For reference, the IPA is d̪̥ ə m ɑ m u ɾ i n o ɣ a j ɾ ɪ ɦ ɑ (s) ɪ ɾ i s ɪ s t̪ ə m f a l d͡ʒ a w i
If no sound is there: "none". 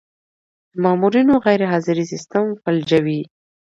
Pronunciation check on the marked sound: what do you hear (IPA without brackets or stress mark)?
z